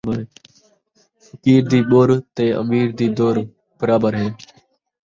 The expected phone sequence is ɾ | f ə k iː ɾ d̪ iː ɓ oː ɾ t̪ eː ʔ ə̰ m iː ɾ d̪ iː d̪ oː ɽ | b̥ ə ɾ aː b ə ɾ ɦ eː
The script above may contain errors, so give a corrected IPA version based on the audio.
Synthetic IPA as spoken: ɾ | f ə k iː ɾ d̪ iː ɓ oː ɾ t̪ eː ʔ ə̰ m iː ɾ d̪ iː d̪ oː ɾ | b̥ ə ɾ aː b ə ɾ ɦ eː